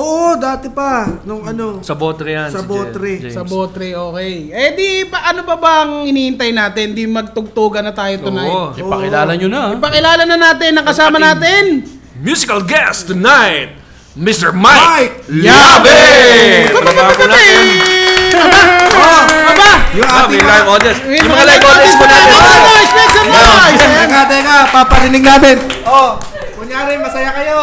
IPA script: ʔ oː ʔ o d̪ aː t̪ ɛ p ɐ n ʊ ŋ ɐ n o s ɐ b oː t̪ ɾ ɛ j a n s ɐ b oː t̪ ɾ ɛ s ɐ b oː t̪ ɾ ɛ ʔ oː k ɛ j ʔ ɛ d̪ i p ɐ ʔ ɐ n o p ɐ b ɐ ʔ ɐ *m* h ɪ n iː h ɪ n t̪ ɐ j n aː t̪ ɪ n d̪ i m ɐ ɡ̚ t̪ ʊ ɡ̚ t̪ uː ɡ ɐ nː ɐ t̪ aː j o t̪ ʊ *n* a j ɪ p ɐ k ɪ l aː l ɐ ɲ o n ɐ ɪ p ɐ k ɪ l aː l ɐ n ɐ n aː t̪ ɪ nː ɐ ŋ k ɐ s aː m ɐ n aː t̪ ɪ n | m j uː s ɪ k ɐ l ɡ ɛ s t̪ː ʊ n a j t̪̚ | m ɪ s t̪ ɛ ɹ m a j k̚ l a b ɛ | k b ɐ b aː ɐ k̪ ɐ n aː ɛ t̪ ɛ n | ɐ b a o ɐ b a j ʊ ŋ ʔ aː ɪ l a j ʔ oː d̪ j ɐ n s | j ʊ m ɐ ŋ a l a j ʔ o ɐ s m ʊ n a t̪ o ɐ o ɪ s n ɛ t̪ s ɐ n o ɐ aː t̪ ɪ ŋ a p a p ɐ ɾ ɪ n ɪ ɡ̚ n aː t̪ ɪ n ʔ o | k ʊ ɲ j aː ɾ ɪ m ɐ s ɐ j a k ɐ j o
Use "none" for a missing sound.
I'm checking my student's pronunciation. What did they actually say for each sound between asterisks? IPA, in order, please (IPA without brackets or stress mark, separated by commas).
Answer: ŋ, n